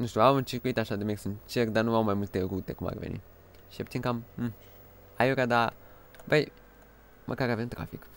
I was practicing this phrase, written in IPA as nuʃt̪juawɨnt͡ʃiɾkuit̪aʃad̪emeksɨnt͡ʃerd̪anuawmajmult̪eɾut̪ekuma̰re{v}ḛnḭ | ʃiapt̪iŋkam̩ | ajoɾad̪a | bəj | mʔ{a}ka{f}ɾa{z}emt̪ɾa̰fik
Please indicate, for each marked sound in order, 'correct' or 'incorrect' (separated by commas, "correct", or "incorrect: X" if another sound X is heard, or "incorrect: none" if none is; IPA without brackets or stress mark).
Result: correct, incorrect: ə, incorrect: none, incorrect: v